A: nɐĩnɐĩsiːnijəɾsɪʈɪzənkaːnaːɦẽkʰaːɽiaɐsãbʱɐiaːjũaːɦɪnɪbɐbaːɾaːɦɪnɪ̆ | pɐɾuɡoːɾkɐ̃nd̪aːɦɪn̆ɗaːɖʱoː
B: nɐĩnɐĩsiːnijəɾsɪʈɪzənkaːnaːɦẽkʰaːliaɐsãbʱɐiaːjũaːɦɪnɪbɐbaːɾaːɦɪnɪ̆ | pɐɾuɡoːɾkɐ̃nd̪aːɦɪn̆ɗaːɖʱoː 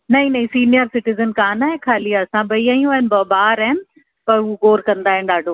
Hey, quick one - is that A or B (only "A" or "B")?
B